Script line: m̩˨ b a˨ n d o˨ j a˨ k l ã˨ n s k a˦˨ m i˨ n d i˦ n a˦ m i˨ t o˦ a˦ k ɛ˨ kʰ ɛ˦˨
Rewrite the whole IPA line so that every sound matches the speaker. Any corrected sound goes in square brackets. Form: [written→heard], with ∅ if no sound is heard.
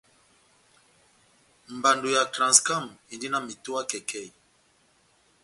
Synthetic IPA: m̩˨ b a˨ n d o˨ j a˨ k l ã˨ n s k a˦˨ m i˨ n d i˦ n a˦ m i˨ t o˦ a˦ k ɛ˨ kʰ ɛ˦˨